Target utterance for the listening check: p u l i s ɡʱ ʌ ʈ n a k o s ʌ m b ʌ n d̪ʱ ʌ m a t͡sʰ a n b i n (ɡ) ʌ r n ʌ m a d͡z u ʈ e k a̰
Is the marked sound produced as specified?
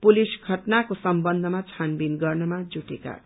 yes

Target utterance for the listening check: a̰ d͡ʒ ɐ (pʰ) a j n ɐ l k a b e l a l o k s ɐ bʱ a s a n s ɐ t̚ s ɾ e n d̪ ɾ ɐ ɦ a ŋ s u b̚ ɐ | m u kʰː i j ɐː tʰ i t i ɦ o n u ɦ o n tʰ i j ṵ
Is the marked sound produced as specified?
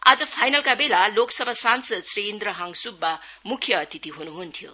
yes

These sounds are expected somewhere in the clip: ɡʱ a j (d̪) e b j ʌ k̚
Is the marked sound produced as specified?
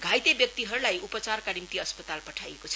no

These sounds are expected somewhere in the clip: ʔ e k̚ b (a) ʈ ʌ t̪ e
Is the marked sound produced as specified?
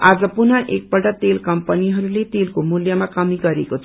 no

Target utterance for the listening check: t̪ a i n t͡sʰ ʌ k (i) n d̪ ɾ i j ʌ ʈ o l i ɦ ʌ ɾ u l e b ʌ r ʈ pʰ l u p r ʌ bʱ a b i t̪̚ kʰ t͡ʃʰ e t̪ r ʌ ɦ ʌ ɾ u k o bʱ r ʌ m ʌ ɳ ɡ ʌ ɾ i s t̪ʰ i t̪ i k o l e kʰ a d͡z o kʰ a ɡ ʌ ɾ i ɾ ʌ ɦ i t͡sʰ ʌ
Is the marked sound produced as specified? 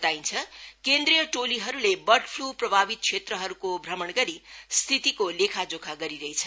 no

